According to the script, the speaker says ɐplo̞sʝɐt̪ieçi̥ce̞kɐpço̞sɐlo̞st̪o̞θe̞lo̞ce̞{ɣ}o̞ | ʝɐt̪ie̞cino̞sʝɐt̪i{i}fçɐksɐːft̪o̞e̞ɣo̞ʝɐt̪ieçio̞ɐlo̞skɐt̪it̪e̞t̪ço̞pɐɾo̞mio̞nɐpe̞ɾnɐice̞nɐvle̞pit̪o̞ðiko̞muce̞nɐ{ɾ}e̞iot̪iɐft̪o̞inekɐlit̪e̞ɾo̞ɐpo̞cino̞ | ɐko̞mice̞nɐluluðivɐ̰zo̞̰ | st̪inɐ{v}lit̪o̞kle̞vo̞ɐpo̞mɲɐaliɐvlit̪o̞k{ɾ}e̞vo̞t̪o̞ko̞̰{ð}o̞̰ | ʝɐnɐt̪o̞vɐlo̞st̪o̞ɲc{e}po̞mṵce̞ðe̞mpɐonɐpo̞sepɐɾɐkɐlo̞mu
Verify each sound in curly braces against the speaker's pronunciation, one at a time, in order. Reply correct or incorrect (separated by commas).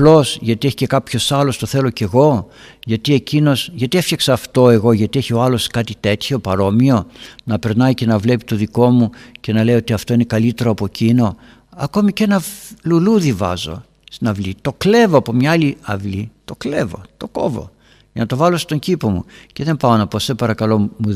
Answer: correct, incorrect, incorrect, correct, incorrect, incorrect, incorrect